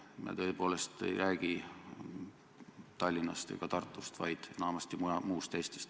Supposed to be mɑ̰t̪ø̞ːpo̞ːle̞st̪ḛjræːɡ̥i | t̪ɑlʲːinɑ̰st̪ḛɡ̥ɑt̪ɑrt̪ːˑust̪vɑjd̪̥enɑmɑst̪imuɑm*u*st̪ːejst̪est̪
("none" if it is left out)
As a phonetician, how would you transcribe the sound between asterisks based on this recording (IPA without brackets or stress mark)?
uː